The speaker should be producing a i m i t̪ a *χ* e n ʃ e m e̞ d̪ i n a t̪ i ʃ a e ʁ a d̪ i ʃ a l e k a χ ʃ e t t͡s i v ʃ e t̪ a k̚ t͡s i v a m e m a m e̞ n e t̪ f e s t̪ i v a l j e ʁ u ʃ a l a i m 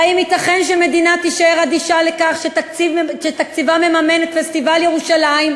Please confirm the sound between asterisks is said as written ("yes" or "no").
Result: yes